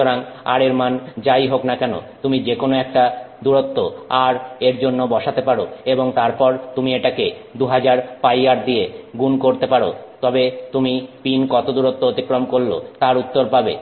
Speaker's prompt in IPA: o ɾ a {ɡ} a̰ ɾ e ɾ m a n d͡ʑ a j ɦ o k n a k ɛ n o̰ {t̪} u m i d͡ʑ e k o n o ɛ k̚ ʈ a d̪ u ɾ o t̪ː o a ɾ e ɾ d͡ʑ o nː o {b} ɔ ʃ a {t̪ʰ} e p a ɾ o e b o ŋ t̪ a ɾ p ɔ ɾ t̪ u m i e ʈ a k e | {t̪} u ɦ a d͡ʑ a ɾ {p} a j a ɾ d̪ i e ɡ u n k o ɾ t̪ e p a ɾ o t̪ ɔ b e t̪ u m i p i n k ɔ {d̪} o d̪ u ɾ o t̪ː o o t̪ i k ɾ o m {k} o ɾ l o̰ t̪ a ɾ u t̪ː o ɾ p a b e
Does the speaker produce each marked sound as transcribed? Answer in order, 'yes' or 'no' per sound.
no, yes, yes, no, no, yes, no, yes

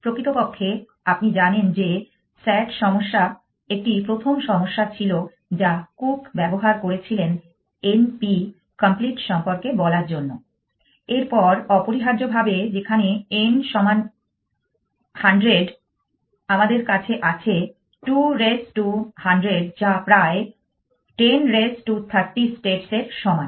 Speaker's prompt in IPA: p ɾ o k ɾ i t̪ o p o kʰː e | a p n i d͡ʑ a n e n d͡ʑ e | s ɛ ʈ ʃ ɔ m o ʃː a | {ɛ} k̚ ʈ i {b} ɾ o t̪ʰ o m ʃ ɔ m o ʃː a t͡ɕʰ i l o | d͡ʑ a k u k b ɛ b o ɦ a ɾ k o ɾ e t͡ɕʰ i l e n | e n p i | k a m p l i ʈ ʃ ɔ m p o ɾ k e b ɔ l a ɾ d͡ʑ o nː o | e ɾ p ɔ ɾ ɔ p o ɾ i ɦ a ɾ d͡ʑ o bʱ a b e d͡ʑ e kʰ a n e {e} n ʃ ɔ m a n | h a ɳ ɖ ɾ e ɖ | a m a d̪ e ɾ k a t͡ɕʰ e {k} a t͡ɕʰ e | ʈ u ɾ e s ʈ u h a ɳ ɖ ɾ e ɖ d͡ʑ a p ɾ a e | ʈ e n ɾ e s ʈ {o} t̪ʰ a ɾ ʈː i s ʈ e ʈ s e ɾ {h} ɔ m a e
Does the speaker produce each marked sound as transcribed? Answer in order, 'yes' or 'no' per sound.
no, no, yes, no, no, no

